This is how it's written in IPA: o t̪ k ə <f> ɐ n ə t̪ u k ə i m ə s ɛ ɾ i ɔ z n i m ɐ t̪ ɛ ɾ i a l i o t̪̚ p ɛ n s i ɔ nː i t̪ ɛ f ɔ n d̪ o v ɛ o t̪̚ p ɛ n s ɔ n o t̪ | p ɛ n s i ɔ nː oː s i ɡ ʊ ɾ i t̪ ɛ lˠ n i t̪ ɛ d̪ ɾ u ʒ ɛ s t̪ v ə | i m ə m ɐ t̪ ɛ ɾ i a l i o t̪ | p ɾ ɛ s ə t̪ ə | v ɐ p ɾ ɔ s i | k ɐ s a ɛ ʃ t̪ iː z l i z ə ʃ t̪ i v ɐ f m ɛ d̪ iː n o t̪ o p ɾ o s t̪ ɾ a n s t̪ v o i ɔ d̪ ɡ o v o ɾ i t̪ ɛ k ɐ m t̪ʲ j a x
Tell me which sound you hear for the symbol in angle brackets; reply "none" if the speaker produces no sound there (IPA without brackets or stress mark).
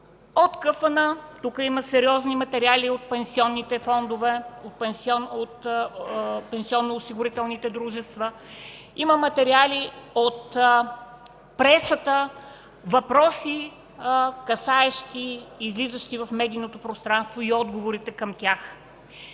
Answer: f